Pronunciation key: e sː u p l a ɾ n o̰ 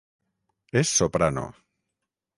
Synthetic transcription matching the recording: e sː o p ɾ a n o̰